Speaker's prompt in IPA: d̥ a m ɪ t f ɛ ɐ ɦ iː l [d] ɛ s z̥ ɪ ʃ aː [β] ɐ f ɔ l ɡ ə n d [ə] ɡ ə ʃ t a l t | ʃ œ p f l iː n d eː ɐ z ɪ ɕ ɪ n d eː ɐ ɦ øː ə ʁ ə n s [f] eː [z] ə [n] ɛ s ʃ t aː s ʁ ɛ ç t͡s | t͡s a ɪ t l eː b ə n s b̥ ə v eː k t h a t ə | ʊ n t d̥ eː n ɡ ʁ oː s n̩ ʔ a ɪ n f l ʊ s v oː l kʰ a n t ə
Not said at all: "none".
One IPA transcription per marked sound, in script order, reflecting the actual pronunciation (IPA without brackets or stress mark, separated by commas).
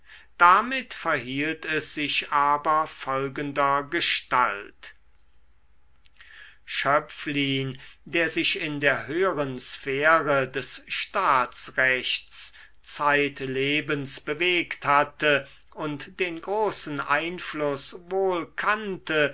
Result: t, b, ɐ, f, ʁ, d